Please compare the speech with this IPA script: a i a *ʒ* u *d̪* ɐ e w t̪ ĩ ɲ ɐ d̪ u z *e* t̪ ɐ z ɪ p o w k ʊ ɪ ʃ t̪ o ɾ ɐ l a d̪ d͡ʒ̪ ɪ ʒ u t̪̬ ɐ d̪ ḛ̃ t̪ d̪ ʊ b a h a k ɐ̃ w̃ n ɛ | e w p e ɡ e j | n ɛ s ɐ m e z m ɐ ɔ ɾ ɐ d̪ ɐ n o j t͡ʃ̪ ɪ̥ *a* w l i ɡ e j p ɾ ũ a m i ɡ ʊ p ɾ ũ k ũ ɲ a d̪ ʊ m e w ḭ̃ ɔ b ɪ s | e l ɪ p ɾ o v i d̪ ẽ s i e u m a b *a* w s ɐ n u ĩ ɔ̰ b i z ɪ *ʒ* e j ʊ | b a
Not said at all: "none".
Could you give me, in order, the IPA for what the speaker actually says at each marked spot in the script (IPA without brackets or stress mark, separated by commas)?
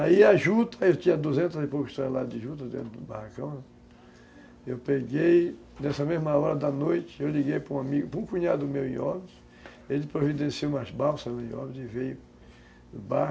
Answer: ʒ, t̪, ẽ, e, a, v